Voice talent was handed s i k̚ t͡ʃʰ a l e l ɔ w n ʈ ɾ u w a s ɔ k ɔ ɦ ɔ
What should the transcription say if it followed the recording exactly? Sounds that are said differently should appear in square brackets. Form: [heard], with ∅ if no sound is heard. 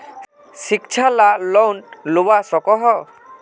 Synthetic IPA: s i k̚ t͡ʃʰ a l [a] l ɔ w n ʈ [l] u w a s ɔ k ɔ ɦ ɔ

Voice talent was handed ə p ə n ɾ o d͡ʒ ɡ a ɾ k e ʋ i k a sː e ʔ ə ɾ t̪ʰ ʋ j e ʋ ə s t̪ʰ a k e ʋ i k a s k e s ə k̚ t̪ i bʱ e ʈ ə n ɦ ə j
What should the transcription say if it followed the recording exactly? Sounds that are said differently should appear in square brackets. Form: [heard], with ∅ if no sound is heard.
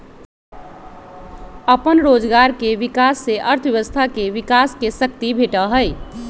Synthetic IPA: ə p ə n ɾ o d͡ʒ ɡ a ɾ k e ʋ i k a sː e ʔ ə ɾ t̪ʰ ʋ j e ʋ ə s t̪ʰ a k e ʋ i k a s k e s ə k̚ t̪ i bʱ e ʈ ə [∅] ɦ ə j

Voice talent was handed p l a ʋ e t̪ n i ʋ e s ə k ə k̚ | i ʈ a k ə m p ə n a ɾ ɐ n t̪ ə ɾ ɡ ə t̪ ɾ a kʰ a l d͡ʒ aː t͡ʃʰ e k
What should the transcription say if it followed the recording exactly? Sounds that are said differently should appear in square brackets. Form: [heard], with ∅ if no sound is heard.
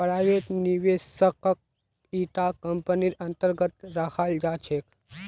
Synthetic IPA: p [ɾ] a ʋ e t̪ n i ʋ e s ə k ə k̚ | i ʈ a k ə m p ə n [i] ɾ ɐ n t̪ ə ɾ ɡ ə t̪ ɾ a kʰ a l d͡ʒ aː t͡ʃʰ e k

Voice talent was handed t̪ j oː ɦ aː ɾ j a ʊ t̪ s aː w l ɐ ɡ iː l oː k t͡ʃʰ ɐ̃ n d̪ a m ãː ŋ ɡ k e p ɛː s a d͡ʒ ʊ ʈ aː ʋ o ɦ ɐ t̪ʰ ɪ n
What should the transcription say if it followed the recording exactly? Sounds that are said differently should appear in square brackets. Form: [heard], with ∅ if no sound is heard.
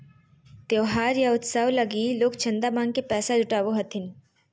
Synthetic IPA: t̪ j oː ɦ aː ɾ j a ʊ t̪ s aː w l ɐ ɡ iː l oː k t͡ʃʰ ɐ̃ n d̪ a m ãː ŋ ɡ k e p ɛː s a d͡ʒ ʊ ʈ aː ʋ o ɦ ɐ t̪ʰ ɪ n

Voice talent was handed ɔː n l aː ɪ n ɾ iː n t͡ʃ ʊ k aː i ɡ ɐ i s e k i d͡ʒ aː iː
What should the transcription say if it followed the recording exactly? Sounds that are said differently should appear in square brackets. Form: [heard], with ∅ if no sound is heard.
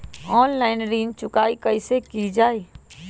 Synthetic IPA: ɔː n l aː ɪ n ɾ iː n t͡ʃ ʊ k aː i [k] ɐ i s e k i d͡ʒ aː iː

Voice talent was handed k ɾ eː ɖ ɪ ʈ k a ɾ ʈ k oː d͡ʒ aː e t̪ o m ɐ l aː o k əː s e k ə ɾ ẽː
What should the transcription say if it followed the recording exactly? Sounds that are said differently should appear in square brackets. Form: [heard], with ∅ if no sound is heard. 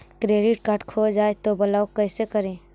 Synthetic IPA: k ɾ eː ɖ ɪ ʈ k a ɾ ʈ [kʰ] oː d͡ʒ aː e t̪ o [b] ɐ l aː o k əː s e k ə ɾ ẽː

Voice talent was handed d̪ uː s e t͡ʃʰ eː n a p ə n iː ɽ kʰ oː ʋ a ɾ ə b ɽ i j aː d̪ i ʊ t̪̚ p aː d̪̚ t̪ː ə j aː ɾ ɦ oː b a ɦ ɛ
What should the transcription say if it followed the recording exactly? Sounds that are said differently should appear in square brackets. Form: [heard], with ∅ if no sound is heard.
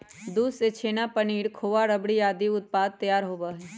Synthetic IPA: d̪ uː s e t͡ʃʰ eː n a p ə n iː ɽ kʰ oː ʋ a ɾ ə b ɽ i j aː d̪ i ʊ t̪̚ p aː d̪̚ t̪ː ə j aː ɾ ɦ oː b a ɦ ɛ

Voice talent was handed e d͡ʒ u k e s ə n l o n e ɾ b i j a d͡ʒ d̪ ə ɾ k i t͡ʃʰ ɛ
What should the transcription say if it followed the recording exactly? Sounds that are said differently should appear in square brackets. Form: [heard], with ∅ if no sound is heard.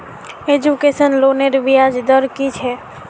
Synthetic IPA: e d͡ʒ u k e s ə n l o n e ɾ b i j a d͡ʒ d̪ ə ɾ k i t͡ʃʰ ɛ

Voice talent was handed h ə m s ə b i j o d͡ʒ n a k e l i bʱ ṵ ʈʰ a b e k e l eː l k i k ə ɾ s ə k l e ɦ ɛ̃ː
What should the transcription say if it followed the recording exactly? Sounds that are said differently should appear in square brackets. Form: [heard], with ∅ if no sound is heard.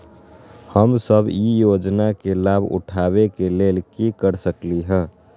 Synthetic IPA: h ə m s ə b i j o d͡ʒ n a k e l [a] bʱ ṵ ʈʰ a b e k e l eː l k i k ə ɾ s ə k l [i] ɦ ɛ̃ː

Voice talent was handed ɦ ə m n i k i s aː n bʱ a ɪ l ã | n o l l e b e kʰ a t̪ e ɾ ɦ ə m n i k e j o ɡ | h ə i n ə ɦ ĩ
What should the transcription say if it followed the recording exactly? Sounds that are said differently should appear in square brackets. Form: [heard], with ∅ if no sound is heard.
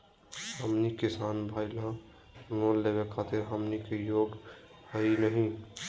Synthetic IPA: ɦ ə m n i k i s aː n bʱ a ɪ l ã | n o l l e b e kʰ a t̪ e ɾ ɦ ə m n i k e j o ɡ | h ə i n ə ɦ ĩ

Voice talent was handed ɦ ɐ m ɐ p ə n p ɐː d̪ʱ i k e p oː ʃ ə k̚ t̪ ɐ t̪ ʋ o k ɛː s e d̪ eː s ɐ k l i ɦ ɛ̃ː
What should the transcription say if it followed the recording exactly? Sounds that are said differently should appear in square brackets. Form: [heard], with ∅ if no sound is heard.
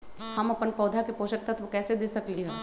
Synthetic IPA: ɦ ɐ m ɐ p ə n p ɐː d̪ʱ [a] k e p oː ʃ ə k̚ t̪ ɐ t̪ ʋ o k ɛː s e d̪ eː s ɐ k l i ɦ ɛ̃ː

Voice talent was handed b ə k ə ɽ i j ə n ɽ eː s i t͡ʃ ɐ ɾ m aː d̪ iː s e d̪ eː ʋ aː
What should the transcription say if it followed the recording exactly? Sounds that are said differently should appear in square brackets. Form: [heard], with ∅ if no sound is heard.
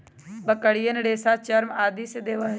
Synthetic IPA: b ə k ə ɽ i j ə n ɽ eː s [a] t͡ʃ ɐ ɾ m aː d̪ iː s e d̪ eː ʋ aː

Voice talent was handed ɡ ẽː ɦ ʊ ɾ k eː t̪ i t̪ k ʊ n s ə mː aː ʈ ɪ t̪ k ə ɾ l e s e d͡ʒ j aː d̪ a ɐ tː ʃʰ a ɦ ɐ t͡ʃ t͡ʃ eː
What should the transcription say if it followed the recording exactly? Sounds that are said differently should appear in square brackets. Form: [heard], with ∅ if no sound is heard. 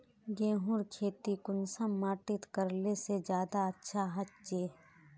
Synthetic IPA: ɡ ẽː ɦ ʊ ɾ [kʰ] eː t̪ i [∅] k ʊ n s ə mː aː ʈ ɪ t̪ k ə ɾ l e s e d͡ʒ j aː d̪ a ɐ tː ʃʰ a ɦ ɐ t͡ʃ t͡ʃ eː

